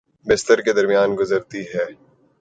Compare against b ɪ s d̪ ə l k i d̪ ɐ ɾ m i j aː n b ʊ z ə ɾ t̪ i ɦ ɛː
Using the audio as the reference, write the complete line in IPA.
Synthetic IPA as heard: b ɪ s t̪ ə ɾ k e d̪ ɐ ɾ m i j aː n ɡ ʊ z ə ɾ t̪ i ɦ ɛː

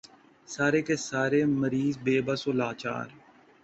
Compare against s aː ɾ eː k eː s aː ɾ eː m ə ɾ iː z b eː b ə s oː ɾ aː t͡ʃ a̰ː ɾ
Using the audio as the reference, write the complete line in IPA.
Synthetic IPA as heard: s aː ɾ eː k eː s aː ɾ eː m ə ɾ iː z b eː b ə s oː l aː t͡ʃ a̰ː ɾ

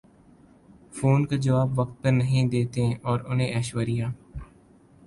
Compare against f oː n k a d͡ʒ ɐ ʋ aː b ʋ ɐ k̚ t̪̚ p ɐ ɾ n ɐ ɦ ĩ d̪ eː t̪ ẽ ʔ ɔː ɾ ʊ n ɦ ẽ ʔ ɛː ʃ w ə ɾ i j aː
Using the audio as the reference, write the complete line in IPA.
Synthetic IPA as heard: f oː n k a d͡ʒ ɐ ʋ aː b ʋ ɐ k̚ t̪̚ p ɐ ɾ n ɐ ɦ ĩ d̪ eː t̪ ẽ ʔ ɔː ɾ ʊ n ɦ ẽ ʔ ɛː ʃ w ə ɾ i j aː

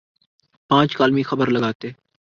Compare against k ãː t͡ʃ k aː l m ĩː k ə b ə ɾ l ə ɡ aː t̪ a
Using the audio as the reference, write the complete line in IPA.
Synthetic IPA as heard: p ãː t͡ʃ k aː l m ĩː x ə b ə ɾ l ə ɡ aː t̪ e

